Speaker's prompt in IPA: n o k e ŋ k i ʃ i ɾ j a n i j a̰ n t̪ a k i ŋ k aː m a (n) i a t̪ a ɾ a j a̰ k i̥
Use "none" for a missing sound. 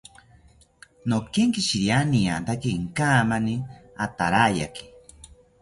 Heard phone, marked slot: n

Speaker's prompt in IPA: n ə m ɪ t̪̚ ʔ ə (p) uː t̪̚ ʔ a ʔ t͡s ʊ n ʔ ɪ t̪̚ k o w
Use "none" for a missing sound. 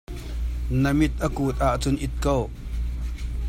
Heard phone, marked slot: k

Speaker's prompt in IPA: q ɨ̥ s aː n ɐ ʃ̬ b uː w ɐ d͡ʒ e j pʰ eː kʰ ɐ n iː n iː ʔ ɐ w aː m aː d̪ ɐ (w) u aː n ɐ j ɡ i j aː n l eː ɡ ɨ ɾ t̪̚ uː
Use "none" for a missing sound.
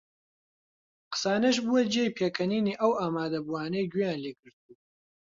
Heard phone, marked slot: b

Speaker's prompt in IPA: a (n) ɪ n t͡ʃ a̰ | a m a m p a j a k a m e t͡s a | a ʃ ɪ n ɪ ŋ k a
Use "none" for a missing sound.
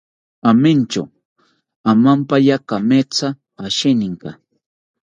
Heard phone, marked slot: m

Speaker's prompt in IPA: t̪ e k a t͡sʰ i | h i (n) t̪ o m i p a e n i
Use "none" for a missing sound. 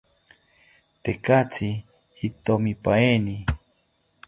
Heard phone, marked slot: none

